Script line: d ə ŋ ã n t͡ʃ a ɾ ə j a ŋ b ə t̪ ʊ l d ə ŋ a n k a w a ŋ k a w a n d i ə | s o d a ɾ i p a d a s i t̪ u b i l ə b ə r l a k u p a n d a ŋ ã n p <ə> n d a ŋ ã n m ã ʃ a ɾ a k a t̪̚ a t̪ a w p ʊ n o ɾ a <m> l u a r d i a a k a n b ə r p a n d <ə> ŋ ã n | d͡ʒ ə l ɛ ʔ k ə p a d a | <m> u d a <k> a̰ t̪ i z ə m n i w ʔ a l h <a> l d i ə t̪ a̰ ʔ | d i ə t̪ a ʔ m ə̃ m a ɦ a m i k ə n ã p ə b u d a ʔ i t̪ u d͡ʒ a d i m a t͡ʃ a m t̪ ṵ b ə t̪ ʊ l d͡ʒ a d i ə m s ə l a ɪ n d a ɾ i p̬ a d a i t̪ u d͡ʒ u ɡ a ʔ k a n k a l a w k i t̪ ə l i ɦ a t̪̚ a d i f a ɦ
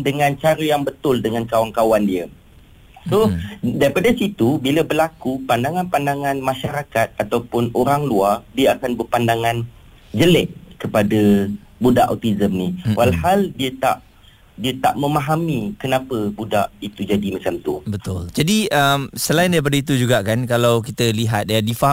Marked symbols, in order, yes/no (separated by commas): no, no, no, no, no, yes